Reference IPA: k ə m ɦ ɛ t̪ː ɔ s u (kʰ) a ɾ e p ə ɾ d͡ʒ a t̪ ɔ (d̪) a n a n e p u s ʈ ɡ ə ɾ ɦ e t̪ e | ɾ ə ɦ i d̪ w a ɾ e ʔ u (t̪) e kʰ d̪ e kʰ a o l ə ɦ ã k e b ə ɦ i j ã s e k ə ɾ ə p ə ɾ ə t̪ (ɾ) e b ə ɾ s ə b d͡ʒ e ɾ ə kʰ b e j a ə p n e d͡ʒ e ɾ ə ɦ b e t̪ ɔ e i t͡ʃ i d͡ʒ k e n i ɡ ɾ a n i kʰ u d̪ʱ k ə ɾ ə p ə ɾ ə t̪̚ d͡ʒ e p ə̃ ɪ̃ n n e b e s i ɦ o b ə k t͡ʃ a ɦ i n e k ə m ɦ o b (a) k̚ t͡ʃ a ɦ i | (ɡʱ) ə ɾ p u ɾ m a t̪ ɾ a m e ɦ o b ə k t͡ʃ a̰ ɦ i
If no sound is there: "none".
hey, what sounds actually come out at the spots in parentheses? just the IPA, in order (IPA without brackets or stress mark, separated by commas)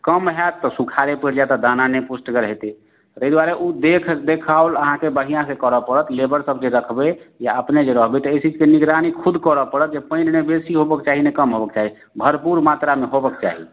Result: kʰ, d̪, d̪, l, ə, bʱ